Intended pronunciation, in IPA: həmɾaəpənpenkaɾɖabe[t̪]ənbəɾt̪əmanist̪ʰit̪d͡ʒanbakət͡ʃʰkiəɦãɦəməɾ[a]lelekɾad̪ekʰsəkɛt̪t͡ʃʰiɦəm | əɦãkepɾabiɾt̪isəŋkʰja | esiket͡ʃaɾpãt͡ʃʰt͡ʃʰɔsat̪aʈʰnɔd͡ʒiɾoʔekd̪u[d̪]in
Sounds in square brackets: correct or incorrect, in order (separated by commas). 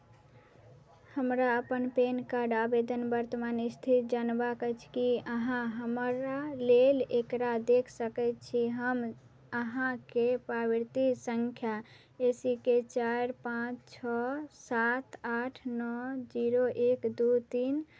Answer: incorrect, correct, incorrect